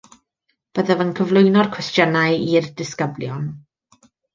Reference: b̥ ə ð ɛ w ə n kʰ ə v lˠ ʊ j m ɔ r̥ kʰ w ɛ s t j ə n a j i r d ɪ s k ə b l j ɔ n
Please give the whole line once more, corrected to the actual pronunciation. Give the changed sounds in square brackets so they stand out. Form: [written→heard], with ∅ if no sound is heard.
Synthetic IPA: b̥ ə ð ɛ [w→v] ə n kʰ ə v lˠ ʊ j [m→n] ɔ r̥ kʰ w ɛ s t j ə n a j i r d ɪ s k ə b l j ɔ n